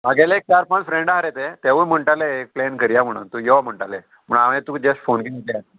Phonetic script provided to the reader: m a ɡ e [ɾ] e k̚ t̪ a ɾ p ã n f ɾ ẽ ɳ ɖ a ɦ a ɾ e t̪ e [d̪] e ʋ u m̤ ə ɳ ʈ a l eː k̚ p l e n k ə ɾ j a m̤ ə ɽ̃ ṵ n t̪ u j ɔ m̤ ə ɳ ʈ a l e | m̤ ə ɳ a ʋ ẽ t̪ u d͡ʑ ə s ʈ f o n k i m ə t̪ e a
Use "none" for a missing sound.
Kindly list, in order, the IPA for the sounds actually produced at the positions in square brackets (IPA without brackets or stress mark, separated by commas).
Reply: l, t̪